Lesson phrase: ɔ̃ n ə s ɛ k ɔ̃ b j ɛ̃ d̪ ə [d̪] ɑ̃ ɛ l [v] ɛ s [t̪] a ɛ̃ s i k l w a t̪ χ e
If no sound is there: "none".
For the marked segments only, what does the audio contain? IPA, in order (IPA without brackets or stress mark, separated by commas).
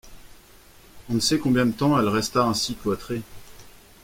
t̪, ʁ, t̪